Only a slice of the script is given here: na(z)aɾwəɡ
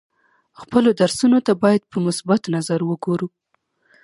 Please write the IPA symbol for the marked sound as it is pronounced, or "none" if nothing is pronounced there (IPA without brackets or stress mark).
z